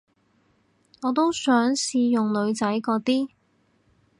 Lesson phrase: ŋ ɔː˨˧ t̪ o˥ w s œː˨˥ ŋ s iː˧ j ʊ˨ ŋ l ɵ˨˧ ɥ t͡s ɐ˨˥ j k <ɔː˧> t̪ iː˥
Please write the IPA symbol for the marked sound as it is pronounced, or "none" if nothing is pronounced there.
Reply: ɔː˧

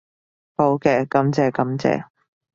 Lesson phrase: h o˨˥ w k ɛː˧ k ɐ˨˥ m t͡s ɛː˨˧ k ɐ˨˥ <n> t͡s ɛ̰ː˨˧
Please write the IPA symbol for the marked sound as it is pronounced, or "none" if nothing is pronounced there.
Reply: m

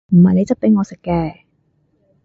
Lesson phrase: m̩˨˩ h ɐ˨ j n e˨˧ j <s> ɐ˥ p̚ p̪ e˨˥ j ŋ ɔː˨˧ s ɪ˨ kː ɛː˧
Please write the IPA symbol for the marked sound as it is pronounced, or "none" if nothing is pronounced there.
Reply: t͡s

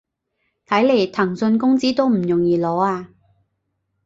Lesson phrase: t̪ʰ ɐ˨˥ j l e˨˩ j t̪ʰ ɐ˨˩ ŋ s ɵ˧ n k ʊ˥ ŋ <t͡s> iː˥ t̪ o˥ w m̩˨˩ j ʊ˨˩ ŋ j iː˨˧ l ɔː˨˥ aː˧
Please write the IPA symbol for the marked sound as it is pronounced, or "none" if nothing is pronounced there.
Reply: t͡s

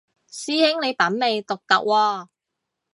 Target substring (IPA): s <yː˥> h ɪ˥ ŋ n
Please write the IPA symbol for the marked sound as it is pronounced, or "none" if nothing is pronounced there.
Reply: iː˥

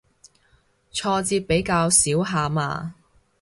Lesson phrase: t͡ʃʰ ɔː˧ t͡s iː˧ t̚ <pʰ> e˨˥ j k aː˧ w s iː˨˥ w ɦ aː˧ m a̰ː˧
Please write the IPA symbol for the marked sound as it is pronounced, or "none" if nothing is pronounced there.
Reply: p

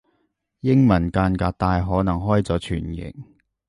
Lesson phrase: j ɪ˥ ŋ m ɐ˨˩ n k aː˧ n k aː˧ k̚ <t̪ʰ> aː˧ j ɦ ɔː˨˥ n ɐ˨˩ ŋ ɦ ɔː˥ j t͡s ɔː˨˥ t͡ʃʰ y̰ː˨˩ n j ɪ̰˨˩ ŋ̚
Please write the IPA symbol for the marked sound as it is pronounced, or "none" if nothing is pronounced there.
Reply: t̪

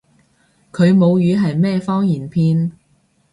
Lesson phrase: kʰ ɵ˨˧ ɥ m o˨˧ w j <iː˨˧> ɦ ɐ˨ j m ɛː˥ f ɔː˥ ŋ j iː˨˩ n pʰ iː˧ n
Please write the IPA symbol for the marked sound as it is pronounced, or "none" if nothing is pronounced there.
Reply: yː˨˧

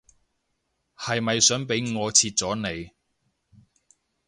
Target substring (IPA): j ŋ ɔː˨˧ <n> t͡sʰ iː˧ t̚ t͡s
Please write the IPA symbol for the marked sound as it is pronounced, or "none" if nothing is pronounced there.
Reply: none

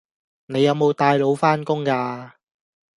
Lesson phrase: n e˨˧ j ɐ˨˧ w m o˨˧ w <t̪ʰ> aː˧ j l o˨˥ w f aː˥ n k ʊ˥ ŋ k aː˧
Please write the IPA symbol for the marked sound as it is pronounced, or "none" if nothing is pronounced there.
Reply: t̪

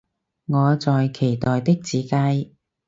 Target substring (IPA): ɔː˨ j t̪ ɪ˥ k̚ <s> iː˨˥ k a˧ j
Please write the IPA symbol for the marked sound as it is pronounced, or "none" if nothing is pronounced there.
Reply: t͡s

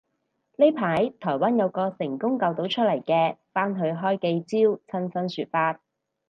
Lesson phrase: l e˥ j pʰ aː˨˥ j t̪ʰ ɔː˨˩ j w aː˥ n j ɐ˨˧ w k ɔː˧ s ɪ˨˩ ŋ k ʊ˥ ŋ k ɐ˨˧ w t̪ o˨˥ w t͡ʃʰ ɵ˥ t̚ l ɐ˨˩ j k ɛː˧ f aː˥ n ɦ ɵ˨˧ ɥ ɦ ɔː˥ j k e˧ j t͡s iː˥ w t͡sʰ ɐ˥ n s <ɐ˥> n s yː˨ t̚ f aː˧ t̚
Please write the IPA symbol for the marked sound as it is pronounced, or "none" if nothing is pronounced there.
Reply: ɐ˥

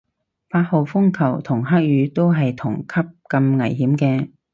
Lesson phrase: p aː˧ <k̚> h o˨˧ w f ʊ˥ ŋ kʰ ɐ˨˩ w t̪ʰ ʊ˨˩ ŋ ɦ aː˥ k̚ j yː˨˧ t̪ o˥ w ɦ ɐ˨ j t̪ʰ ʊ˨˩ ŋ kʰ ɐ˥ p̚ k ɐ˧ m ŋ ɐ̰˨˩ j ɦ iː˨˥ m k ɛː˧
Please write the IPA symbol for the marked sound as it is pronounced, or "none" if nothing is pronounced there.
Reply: t̚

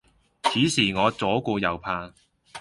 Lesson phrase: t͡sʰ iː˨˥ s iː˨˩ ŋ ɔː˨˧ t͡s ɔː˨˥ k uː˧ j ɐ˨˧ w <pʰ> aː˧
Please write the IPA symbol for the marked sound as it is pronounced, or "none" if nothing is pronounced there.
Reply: pʰ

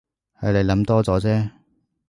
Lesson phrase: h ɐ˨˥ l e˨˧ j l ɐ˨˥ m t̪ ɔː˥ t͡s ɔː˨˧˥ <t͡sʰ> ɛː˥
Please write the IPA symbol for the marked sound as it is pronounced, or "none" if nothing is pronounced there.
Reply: t͡s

